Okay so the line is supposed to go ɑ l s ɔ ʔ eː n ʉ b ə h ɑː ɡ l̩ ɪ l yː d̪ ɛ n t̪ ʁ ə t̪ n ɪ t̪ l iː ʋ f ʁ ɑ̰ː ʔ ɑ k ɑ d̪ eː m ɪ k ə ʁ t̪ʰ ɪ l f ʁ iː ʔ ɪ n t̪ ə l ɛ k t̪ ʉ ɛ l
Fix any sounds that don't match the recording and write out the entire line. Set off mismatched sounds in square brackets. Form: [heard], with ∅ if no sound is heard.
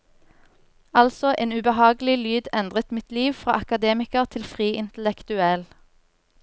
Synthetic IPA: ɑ l s ɔ ʔ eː n ʉ b ə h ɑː ɡ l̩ ɪ l yː d̪ ɛ n [d̪] ʁ ə t̪ [m] ɪ t̪ l iː ʋ f ʁ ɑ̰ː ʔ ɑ k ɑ d̪ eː m ɪ k ə ʁ t̪ʰ ɪ l f ʁ iː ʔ ɪ n t̪ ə l ɛ k t̪ ʉ ɛ l